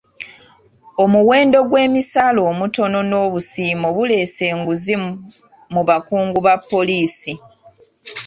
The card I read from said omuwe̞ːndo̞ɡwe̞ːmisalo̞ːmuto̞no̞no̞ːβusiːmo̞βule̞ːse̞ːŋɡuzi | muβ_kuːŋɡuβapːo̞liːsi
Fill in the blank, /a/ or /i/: a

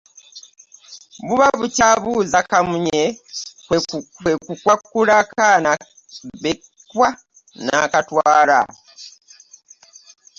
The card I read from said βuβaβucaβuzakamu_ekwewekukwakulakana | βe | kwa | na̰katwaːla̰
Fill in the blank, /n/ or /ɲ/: ɲ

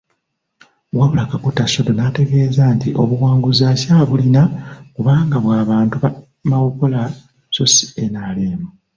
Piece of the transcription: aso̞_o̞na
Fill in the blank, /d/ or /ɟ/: d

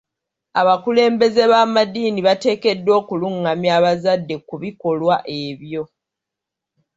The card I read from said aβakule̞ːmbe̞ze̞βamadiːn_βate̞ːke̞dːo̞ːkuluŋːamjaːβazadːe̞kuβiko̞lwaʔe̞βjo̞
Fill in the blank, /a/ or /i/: i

